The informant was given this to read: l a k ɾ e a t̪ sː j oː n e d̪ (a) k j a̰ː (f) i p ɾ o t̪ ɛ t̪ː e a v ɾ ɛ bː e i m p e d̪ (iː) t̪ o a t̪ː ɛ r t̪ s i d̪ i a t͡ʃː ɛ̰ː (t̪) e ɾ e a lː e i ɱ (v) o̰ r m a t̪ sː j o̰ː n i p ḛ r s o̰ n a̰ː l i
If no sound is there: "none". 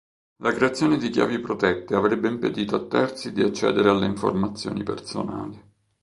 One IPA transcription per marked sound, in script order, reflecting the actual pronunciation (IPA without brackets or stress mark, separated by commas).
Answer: i, v, iː, d̪, f